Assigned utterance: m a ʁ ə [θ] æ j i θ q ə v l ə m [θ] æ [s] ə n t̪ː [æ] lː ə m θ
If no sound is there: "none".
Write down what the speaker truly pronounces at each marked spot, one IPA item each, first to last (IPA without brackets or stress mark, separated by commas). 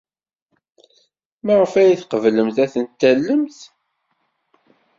f, θ, θ, æ